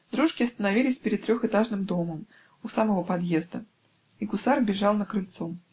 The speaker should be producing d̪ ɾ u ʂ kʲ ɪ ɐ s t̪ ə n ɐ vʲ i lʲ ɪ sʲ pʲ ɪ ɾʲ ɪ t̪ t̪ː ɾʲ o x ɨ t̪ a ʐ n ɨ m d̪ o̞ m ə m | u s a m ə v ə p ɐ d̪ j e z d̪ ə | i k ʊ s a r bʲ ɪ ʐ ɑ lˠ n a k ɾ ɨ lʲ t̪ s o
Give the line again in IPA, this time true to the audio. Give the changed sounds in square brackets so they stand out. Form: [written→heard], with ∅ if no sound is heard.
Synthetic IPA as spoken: d̪ ɾ u ʂ kʲ ɪ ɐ s t̪ ə n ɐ vʲ i lʲ ɪ sʲ pʲ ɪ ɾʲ ɪ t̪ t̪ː ɾʲ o x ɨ t̪ a ʐ n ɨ m d̪ o̞ m ə m | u s a m ə v ə p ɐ d̪ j e z d̪ ə | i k ʊ s a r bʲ ɪ ʐ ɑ lˠ n [a→ə] k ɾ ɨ lʲ t̪ s o